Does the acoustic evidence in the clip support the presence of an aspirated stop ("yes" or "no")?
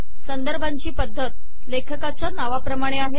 yes